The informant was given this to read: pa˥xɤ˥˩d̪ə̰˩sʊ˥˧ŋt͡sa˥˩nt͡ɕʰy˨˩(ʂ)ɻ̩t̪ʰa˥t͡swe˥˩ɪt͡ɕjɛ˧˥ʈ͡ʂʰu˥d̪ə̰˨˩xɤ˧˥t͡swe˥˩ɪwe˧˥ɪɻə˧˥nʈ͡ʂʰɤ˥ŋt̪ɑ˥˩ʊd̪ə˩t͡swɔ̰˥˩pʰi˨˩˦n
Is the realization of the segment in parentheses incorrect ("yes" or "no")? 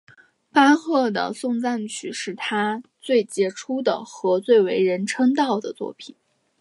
no